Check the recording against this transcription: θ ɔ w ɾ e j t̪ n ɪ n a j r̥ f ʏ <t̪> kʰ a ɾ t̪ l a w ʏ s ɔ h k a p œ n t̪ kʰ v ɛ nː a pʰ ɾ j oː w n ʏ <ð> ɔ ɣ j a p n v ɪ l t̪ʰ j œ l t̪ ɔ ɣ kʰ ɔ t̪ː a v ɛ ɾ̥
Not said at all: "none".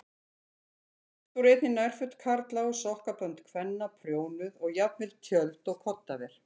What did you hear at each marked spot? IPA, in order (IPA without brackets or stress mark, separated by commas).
t̪, ð